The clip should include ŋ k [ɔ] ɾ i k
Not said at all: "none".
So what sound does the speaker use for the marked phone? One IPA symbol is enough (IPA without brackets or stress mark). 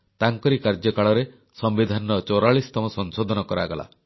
ɔ